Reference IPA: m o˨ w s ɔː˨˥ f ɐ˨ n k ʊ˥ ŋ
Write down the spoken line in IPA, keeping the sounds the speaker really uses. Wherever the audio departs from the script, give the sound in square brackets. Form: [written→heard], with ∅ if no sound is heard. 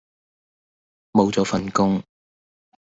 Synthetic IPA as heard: m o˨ w [s→t͡s] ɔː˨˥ f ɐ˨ n k ʊ˥ ŋ